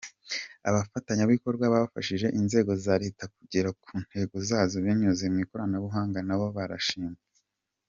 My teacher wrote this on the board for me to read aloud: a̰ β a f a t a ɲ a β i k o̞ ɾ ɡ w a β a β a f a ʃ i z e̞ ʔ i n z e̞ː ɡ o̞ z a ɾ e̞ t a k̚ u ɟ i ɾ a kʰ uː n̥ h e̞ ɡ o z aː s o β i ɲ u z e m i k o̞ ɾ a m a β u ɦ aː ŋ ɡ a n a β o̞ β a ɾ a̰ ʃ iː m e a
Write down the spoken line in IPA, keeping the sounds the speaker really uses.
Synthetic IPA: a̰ β a f a t a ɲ a β i k o̞ ɾ ɡ w a β a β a f a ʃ i ʒ e̞ ʔ i n z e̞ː ɡ o̞ z a ɾ e̞ t a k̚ u ɟ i ɾ a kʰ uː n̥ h e̞ ɡ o z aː z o β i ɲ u z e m i k o̞ ɾ a n a β u ɦ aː ŋ ɡ a n a β o̞ β a ɾ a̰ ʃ iː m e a